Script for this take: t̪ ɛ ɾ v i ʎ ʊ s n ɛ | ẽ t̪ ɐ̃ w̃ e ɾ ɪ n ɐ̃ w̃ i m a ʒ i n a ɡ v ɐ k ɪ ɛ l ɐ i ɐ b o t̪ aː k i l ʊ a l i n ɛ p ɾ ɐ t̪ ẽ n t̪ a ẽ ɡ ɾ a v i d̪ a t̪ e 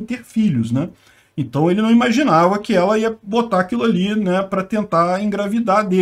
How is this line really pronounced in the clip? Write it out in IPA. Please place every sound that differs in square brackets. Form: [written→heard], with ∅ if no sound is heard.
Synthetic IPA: t̪ [ɛ→e] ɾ [v→f] i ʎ ʊ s n ɛ | ẽ t̪ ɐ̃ w̃ e [ɾ→l] ɪ n ɐ̃ w̃ i m a ʒ i n a [ɡ→∅] v ɐ k ɪ ɛ l ɐ i ɐ b o t̪ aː k i l ʊ a l i n ɛ p ɾ ɐ t̪ ẽ n t̪ a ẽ ɡ ɾ a v i d̪ a [t̪→d̪] e